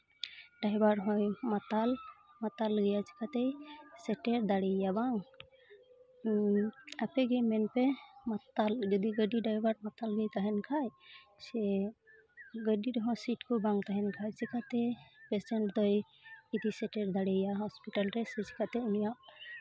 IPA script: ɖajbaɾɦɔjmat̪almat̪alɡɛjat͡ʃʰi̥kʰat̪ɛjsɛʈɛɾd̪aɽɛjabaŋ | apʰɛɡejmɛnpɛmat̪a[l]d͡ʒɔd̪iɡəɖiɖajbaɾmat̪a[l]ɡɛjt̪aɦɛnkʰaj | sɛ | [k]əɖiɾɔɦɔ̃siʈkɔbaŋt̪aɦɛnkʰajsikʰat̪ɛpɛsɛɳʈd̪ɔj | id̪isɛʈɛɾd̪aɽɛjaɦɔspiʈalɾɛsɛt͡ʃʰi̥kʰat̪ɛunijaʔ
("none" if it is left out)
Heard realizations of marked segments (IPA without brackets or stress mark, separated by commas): l, l, ɡ